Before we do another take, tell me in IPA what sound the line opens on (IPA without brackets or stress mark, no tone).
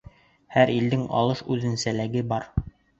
h